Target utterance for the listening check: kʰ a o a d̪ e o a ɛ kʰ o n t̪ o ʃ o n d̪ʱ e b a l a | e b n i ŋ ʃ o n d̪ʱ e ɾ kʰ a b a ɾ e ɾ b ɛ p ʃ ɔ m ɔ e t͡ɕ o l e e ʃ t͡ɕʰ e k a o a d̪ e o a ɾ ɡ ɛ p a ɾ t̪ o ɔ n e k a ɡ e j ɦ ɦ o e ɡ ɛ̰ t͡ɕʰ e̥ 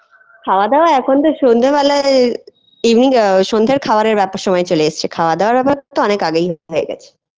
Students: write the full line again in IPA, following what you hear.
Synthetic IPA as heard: kʰ a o a d̪ e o a ɛ kʰ o n t̪ o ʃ o n d̪ʱ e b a l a | i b n i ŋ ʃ o n d̪ʱ e ɾ kʰ a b a ɾ e ɾ b ɛ p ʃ ɔ m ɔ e t͡ɕ o l e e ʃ t͡ɕʰ e kʰ a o a d̪ e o a ɾ b ɛ p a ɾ t̪ o ɔ n e k a ɡ e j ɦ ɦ o e ɡ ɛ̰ t͡ɕʰ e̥